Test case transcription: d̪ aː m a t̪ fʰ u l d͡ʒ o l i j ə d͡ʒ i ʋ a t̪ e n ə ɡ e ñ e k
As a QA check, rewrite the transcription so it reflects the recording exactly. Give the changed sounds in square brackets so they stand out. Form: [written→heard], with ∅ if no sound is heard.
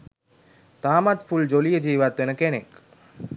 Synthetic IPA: [d̪→t̪] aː m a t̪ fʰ u l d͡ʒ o l i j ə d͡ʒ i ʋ a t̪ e n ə [ɡ→k] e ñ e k